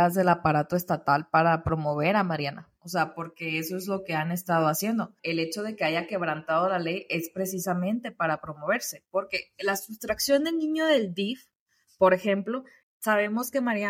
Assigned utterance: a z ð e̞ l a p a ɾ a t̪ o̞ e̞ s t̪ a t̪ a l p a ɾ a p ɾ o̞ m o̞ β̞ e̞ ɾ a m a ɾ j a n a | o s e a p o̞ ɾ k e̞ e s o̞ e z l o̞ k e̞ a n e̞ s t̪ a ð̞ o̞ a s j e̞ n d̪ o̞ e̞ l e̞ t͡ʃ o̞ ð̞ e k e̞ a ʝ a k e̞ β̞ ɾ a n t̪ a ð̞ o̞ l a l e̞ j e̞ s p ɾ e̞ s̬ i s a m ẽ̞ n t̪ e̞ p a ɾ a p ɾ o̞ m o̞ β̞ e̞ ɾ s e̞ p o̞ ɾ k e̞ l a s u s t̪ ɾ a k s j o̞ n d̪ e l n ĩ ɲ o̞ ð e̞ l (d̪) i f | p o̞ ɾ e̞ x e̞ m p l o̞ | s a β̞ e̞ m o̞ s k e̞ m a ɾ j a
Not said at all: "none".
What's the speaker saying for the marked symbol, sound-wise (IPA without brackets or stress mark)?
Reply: d̪